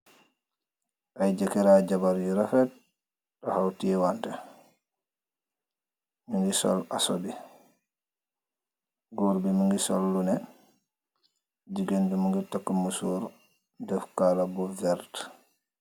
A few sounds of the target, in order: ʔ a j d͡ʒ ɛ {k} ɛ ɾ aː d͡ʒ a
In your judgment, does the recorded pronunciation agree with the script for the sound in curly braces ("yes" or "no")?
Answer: yes